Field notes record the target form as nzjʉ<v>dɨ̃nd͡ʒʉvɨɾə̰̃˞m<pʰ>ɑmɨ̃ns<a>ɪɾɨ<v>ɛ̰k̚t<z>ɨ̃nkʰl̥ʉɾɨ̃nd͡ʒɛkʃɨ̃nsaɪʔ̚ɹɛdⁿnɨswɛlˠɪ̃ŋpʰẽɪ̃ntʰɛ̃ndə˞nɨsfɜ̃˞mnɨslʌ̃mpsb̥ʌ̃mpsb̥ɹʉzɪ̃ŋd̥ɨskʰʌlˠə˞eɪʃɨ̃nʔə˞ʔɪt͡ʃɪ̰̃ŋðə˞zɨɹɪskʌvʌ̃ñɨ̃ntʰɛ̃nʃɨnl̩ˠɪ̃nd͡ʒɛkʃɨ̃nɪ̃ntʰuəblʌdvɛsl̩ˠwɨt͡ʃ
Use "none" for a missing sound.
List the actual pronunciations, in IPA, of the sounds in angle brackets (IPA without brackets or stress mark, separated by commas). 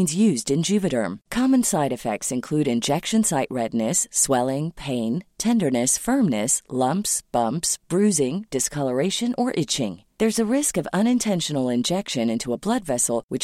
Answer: z, kʰ, a, f, s